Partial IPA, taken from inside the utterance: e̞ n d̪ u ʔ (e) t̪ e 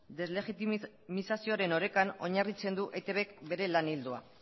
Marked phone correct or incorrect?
correct